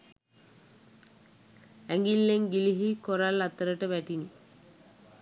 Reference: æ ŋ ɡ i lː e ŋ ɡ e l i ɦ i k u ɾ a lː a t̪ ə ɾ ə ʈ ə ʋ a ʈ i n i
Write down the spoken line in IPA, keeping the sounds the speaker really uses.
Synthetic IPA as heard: æ ŋ ɡ i lː e ŋ ɡ i l i ɦ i k o ɾ a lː a t̪ ə ɾ ə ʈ ə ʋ æ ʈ i n i